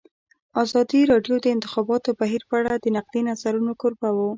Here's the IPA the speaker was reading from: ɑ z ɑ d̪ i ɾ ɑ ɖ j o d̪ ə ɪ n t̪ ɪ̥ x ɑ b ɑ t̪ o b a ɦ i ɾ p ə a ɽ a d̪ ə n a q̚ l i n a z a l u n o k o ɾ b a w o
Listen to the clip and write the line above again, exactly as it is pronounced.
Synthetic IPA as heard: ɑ z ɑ d̪ i ɾ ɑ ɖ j o d̪ ə ɪ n t̪ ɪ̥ x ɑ b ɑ t̪ o b a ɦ i ɾ p ə a ɽ a d̪ ə n a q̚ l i n a z a ɾ u n o k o ɾ b a w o

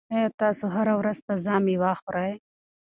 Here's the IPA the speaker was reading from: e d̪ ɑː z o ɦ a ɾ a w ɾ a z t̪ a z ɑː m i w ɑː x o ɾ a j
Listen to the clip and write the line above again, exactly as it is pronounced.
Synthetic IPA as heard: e t̪ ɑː s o ɦ a ɾ a w ɾ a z t̪ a z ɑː m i w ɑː x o ɾ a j

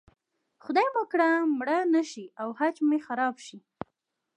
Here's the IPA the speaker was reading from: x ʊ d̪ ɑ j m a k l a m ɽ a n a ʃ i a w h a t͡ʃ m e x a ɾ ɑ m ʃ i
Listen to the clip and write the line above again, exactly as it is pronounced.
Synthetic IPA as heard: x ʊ d̪ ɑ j m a k ɽ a m ɽ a n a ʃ i a w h a t͡ʃ m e x a ɾ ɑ b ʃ i

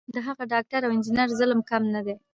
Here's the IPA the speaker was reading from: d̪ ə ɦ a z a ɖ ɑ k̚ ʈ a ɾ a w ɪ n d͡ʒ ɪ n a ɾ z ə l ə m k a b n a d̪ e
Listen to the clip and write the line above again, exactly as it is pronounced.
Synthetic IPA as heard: d̪ ə ɦ a ɣ a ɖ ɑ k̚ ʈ a ɾ a w ɪ n d͡ʒ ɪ n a ɾ z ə l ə m k a m n a d̪ e

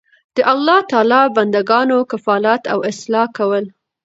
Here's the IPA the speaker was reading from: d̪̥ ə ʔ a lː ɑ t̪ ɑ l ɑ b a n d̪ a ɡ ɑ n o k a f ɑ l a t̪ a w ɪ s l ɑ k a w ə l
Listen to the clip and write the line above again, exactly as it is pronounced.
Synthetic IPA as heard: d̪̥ ə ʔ a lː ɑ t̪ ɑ l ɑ b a n d̪ a ɡ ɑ n o k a f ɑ l a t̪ a w ɪ s l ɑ k a w ə l

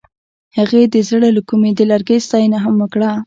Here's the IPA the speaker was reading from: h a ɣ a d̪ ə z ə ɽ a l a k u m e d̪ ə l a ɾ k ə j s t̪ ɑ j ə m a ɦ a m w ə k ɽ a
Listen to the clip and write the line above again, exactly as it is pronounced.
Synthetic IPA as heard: h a ɣ e d̪ ə z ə ɽ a l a k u m e d̪ ə l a ɾ ɡ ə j s t̪ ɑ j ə n a ɦ a m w ə k ɽ a

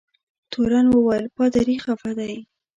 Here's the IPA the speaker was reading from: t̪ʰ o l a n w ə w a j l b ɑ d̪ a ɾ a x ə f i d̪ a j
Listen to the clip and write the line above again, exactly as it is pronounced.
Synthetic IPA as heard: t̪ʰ o ɾ a n w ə w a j l p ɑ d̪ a ɾ i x a f a d̪ a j

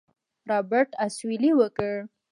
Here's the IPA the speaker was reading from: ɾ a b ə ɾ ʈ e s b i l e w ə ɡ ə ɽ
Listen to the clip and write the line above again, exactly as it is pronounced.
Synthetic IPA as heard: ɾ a b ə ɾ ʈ a s w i l i w ə k ə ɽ

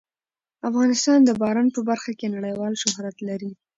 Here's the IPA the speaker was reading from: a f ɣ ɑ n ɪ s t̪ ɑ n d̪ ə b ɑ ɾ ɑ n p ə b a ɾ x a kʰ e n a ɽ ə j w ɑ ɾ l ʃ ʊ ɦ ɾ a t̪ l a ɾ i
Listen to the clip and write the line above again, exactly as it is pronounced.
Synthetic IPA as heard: a f ɣ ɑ n ɪ s t̪ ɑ n d̪ ə b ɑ ɾ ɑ n p ə b a ɾ x a k e n a ɽ ə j w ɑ l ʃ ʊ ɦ ɾ a t̪ l a ɾ i

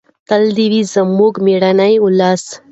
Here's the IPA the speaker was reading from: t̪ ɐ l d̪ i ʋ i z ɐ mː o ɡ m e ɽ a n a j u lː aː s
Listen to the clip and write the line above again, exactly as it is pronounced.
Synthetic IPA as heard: t̪ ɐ l d̪ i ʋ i z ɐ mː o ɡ m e ɽ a n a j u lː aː s

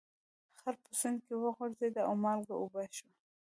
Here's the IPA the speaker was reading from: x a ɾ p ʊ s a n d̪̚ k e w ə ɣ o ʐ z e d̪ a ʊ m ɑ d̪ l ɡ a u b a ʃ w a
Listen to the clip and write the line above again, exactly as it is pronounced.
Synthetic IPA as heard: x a ɾ p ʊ s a n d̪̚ k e w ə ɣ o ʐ z e d̪ a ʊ m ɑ l ɡ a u b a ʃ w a

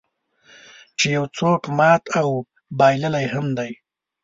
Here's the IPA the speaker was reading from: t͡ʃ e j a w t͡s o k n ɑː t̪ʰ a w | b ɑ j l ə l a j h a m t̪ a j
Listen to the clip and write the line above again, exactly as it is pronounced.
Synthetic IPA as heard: t͡ʃ e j a w t͡s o k m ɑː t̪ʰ a w | b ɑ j l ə l a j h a m d̪ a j

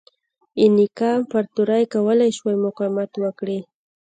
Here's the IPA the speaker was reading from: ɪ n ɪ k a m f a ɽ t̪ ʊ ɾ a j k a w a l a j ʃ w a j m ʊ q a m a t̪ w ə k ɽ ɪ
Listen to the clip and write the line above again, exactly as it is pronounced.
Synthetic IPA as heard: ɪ n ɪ k a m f a ɾ t̪ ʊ ɾ a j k a w a l a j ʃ w a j m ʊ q a m a t̪ w a k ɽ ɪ

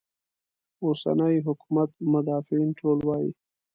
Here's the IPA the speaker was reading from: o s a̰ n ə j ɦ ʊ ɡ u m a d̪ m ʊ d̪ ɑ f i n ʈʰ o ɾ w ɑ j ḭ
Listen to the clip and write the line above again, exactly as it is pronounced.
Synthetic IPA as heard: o s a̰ n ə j ɦ ʊ k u m a t̪ m ʊ d̪ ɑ f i n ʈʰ o l w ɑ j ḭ

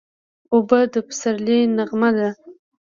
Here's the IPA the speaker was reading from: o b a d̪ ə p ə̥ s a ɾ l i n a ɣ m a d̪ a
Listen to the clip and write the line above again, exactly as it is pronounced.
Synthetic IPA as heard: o b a d̪ ə p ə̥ s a ɾ l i n a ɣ m a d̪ a

